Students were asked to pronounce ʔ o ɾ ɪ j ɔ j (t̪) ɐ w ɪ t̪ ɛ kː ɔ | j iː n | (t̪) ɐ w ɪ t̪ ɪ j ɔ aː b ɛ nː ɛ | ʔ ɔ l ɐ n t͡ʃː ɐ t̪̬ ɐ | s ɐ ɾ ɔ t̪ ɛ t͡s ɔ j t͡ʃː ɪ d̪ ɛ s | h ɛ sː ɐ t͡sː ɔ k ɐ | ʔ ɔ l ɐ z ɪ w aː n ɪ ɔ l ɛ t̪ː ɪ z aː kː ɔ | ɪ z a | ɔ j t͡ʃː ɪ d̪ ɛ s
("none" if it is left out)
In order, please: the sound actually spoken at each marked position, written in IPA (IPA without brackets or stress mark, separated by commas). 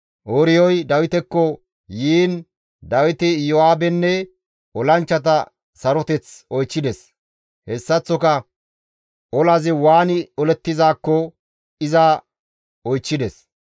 d̪, d̪